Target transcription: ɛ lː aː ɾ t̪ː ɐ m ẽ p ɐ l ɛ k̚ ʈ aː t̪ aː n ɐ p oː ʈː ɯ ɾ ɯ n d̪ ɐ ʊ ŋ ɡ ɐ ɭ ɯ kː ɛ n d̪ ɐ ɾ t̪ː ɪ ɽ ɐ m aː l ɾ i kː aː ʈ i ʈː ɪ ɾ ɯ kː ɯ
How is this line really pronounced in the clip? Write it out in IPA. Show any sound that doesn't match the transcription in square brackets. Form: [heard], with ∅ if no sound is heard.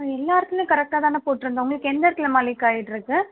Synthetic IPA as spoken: ɛ lː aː ɾ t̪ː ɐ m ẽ [k] ɐ [ɾ] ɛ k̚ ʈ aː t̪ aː n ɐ p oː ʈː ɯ ɾ ɯ n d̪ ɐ ʊ ŋ ɡ ɐ ɭ ɯ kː ɛ n d̪ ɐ ɾ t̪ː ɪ [l] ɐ m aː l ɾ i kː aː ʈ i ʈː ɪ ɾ ɯ kː ɯ